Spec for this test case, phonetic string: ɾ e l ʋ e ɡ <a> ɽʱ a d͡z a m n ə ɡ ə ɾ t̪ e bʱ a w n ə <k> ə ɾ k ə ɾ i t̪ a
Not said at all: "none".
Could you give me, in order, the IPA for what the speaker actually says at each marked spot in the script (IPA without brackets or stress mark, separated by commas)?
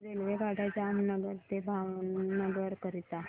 a, ɡ